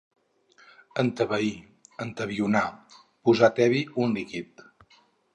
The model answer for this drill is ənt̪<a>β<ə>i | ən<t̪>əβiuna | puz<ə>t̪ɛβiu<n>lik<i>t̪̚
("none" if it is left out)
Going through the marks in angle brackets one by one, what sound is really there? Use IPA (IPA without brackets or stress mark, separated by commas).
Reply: ə, ə, t̪, a, n, i